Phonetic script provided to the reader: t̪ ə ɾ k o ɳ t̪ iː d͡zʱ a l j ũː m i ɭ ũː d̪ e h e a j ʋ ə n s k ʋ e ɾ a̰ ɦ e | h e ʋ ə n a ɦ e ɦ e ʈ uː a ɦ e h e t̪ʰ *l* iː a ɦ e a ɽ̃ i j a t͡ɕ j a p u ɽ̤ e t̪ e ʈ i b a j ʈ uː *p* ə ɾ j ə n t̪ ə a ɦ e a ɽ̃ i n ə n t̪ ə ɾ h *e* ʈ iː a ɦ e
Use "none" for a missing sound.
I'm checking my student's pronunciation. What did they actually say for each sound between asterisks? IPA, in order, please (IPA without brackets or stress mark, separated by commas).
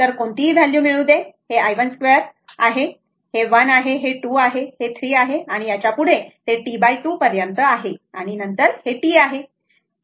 ɾ, p, e